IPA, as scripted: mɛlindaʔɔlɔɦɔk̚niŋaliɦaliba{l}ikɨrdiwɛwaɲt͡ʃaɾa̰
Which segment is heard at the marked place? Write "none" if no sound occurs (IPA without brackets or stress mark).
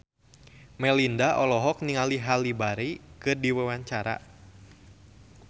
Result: ɾ